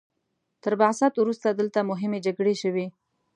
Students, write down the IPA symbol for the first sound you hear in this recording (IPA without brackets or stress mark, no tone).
t̪